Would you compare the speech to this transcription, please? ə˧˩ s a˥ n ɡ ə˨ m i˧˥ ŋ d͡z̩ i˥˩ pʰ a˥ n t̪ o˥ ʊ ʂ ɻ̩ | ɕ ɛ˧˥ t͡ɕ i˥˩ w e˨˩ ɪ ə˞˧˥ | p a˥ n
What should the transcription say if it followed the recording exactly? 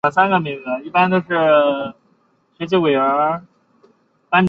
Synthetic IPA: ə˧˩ s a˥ n ɡ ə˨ m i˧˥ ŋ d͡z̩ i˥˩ p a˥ n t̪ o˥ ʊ ʂ ɻ̩ | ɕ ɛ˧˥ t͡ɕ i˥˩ w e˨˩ ɪ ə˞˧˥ | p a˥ n